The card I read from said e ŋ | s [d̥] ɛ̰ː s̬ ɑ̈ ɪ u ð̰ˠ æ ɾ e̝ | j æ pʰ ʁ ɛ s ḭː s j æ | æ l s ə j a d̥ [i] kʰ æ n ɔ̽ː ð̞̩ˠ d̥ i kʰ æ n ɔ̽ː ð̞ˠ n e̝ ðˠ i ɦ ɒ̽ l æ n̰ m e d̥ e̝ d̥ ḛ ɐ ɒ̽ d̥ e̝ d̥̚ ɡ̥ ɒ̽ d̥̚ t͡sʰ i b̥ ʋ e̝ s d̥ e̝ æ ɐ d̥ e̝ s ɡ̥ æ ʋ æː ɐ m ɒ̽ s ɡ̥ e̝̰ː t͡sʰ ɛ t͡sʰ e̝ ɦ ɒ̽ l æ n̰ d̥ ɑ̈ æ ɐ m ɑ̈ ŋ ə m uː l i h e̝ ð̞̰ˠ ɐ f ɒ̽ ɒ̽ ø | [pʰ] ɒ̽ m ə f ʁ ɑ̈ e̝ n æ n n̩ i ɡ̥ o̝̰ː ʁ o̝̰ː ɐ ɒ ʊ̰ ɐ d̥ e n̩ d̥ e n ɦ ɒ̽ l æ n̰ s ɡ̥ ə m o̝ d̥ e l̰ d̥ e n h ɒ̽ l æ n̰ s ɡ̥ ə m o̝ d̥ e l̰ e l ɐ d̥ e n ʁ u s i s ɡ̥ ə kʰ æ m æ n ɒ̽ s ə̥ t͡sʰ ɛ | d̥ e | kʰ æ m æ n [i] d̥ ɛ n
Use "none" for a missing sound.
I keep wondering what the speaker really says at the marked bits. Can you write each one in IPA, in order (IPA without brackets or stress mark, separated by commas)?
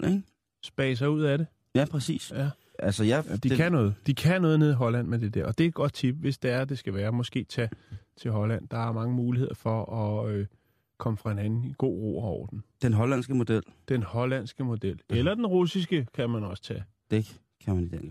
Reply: b̥, i, kʰ, i